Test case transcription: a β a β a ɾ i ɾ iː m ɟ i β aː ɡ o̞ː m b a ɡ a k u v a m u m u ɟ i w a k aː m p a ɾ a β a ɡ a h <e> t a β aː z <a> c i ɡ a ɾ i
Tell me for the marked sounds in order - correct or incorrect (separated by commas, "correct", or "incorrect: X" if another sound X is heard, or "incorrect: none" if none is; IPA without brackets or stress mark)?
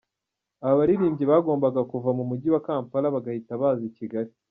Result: incorrect: i, incorrect: i